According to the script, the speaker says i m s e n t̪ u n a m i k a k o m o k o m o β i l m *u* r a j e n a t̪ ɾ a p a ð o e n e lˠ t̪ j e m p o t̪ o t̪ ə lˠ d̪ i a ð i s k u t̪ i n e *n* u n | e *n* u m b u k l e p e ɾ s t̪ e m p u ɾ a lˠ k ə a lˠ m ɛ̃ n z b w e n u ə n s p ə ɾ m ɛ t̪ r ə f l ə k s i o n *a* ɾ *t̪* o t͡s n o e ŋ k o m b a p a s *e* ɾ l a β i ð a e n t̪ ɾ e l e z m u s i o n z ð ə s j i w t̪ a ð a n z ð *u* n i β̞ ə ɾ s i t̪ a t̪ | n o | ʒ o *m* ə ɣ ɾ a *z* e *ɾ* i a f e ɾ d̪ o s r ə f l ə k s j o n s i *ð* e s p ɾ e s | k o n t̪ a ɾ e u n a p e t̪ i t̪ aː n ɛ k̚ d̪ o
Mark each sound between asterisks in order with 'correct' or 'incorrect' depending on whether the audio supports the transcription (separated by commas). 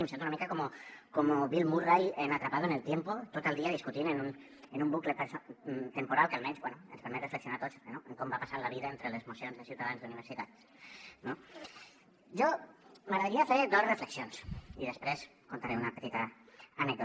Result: correct, correct, correct, correct, correct, incorrect, correct, correct, incorrect, correct, correct